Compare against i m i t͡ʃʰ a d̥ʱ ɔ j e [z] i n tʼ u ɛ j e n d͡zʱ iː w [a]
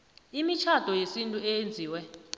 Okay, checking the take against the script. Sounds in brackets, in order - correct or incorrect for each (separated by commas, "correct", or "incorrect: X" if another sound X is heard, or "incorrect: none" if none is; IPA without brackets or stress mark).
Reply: incorrect: s, incorrect: ɛ